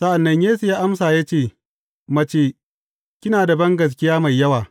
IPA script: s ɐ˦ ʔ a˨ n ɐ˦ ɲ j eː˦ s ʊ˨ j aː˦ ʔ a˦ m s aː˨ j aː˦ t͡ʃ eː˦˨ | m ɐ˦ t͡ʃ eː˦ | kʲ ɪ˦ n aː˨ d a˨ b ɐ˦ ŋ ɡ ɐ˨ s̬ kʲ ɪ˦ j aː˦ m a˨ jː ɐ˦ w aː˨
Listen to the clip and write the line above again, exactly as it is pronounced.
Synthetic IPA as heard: s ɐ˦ ʔ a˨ nː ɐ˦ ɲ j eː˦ s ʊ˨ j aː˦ ʔ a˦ m s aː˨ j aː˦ t͡ʃ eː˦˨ | m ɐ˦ t͡ʃ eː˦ | kʲ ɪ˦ n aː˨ d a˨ b ɐ˦ ŋ ɡ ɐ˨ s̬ kʲ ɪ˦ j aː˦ m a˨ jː ɐ˦ w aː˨